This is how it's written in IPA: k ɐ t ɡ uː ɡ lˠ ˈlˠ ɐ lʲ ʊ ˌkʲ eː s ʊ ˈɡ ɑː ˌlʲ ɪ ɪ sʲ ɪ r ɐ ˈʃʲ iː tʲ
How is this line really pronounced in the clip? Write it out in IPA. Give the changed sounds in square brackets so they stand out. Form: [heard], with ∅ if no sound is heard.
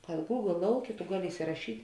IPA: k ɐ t ɡ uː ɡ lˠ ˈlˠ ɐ [∅] ʊ ˌkʲ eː [t] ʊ ˈɡ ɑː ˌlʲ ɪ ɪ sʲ ɪ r ɐ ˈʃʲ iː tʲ